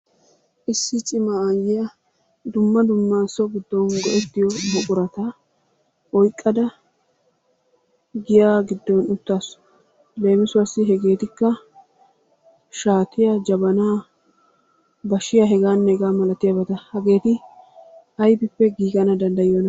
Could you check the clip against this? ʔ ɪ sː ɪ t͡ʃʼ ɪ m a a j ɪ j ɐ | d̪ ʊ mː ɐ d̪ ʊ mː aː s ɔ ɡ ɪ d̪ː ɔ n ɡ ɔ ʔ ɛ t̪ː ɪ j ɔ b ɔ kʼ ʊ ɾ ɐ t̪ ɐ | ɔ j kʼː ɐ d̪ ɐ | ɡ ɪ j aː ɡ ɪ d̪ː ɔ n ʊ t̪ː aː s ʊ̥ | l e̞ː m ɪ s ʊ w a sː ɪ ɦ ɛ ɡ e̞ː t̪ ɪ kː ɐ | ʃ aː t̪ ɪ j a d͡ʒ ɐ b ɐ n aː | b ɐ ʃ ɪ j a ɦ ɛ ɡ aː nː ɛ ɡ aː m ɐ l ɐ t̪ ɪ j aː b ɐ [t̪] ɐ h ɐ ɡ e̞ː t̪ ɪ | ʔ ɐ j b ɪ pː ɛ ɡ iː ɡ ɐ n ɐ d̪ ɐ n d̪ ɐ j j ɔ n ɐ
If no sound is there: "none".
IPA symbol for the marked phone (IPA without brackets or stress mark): t̪